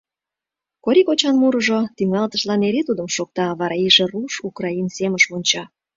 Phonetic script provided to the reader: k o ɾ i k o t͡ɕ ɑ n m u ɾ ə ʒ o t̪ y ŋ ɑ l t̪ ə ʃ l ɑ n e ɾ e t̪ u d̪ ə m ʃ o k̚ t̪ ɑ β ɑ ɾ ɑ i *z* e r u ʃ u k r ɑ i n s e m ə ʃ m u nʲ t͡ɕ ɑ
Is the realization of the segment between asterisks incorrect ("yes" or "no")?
yes